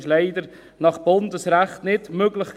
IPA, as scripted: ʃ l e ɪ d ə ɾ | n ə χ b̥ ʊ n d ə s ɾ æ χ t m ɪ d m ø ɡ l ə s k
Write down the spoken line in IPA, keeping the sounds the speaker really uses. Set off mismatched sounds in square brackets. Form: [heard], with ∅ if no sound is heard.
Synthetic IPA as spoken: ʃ l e ɪ d ə ɾ | n [ɑ] χ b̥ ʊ n d ə s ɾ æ χ t [n] ɪ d m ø ɡ l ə [χ] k